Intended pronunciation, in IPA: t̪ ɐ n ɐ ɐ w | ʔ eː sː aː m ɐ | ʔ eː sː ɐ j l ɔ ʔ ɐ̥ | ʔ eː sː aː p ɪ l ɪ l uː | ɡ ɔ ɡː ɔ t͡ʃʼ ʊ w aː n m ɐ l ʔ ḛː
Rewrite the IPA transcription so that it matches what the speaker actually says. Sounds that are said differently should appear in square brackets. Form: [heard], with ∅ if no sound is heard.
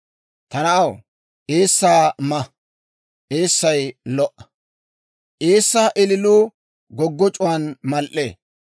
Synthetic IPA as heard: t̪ ɐ n ɐ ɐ w | ʔ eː sː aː m ɐ | ʔ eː sː ɐ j l ɔ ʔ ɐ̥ | ʔ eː sː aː [ʔ] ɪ l ɪ l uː | ɡ ɔ ɡː ɔ t͡ʃʼ ʊ w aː n m ɐ l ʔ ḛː